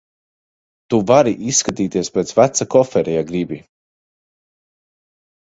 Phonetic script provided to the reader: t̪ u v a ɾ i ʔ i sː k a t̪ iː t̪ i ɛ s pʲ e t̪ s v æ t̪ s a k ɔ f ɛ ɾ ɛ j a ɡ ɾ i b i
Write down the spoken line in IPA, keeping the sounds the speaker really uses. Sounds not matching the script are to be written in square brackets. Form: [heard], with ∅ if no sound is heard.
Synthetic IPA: t̪ u v a ɾ i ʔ i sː k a t̪ iː t̪ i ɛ s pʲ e t̪ s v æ t̪ s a k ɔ f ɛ ɾ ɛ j a ɡ ɾ i b i